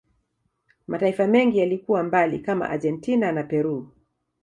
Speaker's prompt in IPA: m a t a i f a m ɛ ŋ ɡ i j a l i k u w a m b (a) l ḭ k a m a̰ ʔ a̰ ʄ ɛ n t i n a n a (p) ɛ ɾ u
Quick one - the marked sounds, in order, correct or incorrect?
correct, correct

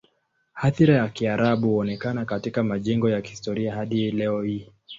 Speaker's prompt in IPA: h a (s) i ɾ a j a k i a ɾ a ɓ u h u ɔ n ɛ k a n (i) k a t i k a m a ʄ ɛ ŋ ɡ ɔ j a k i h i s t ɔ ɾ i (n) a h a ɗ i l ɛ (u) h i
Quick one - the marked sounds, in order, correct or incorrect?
incorrect: θ, incorrect: a, incorrect: none, incorrect: ɔ

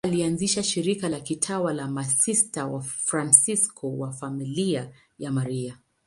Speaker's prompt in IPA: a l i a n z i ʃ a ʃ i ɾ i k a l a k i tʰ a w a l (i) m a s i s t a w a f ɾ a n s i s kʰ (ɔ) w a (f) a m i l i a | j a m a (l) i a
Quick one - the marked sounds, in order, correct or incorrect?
incorrect: a, correct, correct, incorrect: ɾ

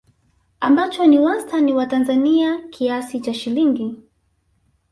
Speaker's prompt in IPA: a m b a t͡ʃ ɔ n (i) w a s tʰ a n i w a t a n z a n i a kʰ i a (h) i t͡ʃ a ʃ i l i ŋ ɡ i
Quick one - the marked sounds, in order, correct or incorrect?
correct, incorrect: s

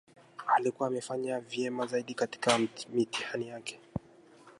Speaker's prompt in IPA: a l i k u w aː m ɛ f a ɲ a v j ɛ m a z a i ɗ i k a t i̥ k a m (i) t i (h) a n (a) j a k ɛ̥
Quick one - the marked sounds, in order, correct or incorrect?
correct, correct, incorrect: i

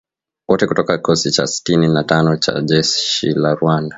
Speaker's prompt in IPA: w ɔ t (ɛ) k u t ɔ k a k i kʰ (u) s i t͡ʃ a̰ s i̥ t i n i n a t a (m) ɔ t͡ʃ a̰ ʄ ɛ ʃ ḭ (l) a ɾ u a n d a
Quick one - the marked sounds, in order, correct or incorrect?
correct, incorrect: ɔ, incorrect: n, correct

